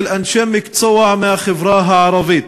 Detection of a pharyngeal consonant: present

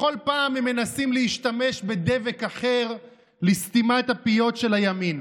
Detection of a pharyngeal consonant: absent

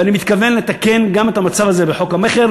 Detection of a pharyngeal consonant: present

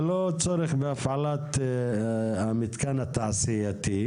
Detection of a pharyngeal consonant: present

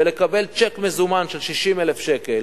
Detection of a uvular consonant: absent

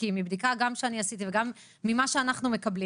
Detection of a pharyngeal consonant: absent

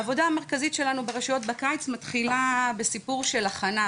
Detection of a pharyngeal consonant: absent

